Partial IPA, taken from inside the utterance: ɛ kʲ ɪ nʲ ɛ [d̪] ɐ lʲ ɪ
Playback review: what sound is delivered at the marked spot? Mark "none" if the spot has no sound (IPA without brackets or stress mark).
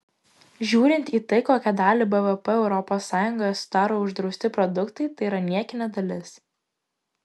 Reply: d̪